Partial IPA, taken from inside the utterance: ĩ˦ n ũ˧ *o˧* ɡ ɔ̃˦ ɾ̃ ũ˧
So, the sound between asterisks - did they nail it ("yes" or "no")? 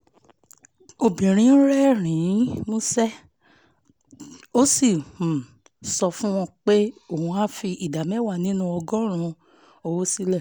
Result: no